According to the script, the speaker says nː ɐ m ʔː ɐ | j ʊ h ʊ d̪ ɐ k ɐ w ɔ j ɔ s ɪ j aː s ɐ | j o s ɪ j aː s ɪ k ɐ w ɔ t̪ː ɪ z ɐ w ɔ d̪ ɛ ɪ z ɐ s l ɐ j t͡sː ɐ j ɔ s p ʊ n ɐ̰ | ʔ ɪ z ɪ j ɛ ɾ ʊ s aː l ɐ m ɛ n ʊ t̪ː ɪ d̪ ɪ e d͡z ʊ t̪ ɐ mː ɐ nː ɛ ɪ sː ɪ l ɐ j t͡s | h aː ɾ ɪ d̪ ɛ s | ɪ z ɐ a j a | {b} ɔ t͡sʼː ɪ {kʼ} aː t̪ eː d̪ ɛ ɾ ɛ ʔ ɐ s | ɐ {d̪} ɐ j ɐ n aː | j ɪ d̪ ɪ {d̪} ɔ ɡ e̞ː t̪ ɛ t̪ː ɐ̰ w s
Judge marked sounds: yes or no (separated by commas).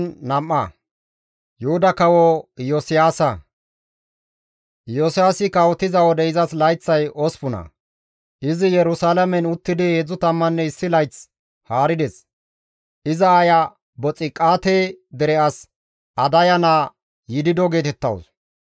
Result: yes, yes, yes, yes